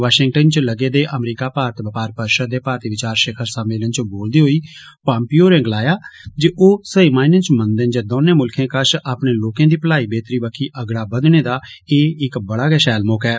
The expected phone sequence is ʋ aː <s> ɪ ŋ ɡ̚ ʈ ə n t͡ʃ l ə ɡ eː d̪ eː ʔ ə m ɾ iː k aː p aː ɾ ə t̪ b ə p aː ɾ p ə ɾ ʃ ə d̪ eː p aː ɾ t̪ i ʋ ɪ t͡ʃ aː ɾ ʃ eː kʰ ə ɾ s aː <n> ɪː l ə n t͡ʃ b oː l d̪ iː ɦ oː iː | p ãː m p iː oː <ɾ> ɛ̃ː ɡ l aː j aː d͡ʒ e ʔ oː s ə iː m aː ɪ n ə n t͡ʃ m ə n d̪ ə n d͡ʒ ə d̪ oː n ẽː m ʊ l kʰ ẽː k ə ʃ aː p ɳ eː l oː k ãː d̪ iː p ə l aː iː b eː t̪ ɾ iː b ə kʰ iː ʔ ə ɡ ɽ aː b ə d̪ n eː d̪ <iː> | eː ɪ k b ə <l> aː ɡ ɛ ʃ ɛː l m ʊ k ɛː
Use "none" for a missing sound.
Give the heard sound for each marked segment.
ʃ, m, ɾ, aː, ɽ

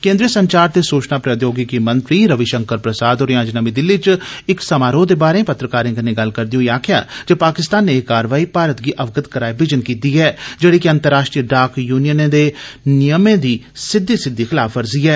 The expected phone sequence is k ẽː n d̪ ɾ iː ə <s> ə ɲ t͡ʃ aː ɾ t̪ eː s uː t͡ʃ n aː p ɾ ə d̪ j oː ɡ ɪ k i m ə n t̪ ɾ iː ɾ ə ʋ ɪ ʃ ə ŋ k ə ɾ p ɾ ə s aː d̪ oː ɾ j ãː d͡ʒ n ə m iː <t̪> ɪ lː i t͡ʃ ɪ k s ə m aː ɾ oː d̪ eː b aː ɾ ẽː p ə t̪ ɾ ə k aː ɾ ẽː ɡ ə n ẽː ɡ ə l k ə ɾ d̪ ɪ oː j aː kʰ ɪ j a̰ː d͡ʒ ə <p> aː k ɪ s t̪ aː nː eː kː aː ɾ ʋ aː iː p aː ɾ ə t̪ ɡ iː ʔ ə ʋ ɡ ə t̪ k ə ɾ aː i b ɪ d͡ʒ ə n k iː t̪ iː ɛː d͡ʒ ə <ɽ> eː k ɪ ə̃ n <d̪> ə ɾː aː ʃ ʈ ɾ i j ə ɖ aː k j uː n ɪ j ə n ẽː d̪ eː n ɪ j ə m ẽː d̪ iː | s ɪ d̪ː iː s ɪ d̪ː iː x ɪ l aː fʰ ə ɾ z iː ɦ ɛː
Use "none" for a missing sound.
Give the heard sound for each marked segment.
s, d̪, p, ɽ, t̪

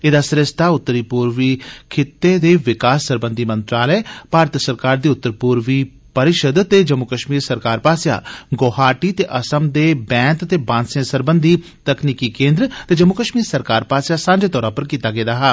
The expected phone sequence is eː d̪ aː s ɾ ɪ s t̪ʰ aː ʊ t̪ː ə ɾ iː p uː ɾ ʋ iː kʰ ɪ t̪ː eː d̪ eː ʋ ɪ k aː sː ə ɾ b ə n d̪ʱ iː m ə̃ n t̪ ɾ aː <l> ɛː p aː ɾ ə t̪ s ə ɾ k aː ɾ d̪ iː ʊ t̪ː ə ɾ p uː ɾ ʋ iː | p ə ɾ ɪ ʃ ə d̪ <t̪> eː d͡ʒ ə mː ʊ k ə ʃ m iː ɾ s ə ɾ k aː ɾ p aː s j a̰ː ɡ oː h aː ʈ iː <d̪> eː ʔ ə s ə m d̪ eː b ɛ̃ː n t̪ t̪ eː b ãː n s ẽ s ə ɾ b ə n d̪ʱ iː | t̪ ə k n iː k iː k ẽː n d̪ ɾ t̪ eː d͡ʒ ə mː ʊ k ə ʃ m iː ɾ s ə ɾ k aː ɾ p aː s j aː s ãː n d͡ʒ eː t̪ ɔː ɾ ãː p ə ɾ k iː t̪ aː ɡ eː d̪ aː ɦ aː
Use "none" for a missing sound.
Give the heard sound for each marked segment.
l, t̪, t̪

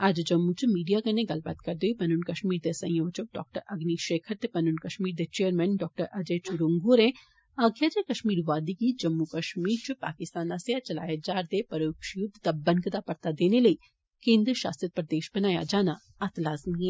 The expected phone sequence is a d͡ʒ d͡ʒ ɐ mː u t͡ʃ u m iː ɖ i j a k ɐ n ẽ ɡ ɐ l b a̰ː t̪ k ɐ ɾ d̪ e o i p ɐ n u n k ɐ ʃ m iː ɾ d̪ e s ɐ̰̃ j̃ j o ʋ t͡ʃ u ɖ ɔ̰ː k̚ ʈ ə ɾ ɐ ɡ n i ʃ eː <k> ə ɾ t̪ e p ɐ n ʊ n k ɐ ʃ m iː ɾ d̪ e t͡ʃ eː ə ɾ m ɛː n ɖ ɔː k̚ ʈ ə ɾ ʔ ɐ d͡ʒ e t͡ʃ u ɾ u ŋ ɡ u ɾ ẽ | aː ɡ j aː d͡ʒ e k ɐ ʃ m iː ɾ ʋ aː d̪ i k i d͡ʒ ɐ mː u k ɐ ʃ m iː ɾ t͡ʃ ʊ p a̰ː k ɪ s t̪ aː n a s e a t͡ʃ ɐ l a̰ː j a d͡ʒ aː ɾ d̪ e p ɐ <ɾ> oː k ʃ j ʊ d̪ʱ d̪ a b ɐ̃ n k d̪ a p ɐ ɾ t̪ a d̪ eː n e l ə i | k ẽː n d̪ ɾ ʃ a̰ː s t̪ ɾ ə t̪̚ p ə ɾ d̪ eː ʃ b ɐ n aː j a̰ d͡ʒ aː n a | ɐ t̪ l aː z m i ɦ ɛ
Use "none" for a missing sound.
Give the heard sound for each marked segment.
kʰ, ɾ

